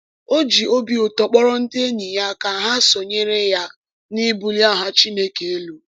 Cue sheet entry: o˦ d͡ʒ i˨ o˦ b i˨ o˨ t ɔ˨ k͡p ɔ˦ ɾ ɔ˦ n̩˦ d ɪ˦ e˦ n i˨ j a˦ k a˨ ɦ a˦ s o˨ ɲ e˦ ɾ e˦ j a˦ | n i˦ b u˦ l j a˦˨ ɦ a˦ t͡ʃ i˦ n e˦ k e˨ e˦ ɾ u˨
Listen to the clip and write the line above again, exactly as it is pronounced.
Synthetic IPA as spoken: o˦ d͡ʒ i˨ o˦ b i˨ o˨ t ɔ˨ k͡p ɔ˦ ɾ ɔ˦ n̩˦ d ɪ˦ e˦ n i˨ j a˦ k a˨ ɦ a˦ s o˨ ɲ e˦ ɾ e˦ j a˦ | n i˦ b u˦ l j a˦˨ ɦ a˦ t͡ʃ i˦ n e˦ k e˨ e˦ l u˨